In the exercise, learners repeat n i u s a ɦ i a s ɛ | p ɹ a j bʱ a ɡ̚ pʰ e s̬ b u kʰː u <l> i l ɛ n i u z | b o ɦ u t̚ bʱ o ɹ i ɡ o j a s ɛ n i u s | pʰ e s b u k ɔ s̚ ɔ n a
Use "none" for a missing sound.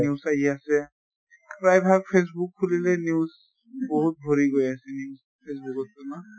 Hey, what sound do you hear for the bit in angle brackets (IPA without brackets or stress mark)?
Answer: l